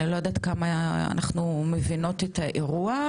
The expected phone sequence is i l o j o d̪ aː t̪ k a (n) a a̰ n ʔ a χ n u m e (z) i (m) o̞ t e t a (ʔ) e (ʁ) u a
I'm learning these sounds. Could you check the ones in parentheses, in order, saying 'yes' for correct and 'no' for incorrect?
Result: no, no, no, yes, yes

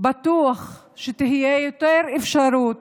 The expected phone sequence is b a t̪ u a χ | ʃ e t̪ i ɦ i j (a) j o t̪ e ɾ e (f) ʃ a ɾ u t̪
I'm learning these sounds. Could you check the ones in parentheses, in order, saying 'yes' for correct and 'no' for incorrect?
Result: no, yes

